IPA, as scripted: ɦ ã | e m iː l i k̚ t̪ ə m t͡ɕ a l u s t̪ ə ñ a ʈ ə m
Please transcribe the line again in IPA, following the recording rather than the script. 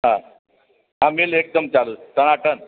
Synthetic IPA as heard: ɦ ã | a m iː l e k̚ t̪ ə m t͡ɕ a l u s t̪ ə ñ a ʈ ə n

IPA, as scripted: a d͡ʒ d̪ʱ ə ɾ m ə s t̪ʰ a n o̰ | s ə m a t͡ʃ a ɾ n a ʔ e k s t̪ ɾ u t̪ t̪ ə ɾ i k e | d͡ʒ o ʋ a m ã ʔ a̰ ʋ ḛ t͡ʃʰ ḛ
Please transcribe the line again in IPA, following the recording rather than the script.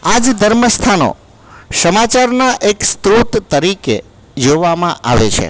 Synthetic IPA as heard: a d͡ʒ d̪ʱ ə ɾ m ə s t̪ʰ a n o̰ | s ə m a t͡ʃ a ɾ n a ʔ e k s t̪ ɾ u t̪ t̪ ə ɾ i k e | d͡ʒ o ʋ a m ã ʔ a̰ ʋ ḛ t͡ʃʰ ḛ

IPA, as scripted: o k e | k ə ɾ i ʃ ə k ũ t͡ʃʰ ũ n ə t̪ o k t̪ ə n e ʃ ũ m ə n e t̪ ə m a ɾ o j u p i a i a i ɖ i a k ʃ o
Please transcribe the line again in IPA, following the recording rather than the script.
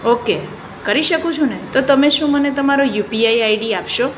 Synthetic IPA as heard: o k e | k ə ɾ i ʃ ə k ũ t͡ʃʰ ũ n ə t̪ o t̪ ə m e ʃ ũ m ə n e t̪ ə m a ɾ o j u p i a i a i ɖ i a p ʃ o

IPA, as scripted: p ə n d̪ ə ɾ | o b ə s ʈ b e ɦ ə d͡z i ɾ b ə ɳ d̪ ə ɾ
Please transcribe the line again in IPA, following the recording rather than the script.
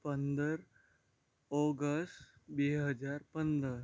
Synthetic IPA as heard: p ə n d̪ ə ɾ | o ɡ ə s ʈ b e ɦ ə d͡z a ɾ p ə n d̪ ə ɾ

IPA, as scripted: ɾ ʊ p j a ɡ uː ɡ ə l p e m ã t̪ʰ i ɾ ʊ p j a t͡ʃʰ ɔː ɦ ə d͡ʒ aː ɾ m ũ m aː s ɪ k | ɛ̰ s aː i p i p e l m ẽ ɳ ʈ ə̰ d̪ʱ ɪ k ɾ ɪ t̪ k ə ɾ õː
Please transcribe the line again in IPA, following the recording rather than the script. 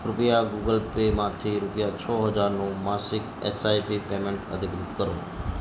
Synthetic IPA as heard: ɾ ʊ p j a ɡ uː ɡ ə l p e m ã t̪ʰ i ɾ ʊ p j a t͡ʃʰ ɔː ɦ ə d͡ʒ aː ɾ n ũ m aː s ɪ k | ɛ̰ s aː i p i p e m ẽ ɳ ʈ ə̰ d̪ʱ ɪ k ɾ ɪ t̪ k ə ɾ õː

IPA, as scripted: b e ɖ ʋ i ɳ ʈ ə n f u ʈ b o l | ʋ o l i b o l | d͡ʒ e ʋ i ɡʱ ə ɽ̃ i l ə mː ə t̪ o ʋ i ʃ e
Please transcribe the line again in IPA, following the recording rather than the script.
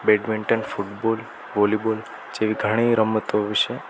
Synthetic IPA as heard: b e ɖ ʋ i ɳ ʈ ə n f u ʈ b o l | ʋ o l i b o l | d͡ʒ e ʋ i ɡʱ ə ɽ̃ i ɾ ə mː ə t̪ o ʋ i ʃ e

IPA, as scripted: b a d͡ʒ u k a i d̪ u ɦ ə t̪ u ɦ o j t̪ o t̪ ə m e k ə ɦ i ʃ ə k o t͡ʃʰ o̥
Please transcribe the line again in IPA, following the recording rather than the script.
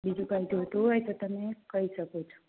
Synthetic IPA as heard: b i d͡ʒ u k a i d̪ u ɦ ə t̪ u ɦ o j t̪ o t̪ ə m e k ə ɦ i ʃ ə k o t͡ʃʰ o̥

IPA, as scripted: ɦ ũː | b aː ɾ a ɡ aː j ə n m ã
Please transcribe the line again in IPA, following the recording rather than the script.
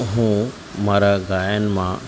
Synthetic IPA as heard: ɦ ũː | m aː ɾ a ɡ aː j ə n m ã

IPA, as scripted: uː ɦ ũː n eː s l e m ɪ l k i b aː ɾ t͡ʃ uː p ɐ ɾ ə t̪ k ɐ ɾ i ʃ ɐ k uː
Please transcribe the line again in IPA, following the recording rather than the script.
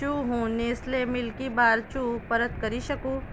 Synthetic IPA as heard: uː ɦ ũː n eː s l e m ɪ l k i b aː ɾ t͡ʃ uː p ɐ ɾ ə t̪ k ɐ ɾ i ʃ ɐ k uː

